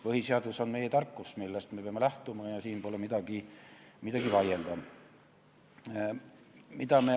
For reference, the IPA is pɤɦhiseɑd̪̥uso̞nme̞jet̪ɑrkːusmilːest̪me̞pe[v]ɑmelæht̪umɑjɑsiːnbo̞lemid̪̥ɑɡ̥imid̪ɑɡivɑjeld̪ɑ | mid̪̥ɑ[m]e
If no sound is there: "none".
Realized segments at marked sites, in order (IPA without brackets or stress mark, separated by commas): none, m